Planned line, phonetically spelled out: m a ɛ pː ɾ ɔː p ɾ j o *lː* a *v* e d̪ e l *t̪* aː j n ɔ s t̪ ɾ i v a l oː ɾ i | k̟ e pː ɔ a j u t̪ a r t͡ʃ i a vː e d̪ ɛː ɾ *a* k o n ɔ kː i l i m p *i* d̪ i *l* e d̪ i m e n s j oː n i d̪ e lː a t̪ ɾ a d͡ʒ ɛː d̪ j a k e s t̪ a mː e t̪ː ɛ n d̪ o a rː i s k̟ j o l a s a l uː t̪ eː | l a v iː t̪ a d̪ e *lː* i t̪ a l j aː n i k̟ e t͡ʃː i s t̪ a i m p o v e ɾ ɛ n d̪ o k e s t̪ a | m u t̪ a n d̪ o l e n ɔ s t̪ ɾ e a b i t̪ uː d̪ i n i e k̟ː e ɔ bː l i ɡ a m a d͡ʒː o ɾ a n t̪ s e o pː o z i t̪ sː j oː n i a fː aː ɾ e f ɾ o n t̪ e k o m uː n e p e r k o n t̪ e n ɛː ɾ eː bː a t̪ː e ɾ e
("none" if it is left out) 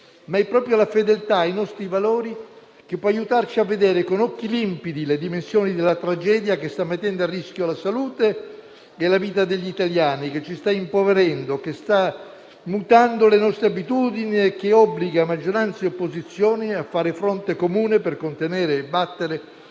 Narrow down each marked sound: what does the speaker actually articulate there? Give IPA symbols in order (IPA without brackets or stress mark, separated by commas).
l, f, t̪, e, i, l, ʎː